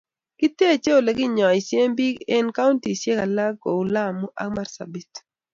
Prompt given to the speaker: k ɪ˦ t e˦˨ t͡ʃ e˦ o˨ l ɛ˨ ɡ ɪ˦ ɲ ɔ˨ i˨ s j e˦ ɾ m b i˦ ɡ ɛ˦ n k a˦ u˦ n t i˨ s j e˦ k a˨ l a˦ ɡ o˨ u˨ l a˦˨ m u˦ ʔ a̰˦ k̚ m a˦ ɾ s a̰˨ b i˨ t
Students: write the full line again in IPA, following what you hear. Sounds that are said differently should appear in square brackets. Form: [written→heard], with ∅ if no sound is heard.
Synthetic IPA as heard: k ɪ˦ t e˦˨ t͡ʃ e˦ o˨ l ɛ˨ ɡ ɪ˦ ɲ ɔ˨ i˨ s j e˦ [ɾ→∅] m b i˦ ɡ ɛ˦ n k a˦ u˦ n t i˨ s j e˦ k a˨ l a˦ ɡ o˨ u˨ l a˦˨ m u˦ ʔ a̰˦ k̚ m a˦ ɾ s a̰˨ b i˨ t